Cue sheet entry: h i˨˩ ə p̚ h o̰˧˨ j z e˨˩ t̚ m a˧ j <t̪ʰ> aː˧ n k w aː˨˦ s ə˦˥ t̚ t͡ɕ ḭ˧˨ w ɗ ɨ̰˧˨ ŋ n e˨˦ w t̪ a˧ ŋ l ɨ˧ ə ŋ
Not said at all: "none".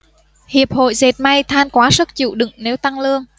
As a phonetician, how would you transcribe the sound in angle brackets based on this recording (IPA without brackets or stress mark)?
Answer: t̪ʰ